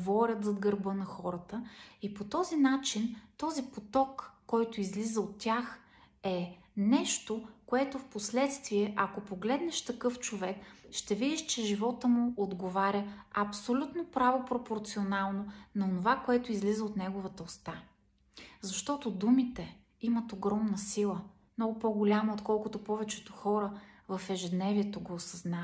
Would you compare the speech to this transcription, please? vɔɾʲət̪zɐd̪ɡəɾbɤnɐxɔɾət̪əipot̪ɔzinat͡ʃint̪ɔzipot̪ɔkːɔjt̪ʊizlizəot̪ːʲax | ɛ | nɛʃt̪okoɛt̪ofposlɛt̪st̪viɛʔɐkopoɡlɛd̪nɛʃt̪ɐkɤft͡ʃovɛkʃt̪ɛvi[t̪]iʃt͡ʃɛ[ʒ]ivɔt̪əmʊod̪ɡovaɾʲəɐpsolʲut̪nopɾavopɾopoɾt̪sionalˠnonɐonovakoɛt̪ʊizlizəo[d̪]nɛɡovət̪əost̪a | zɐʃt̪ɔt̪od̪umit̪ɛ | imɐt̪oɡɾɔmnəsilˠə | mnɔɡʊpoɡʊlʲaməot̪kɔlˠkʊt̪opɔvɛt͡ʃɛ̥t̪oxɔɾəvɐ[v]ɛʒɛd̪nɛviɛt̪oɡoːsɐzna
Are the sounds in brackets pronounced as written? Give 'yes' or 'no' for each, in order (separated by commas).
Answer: no, yes, no, no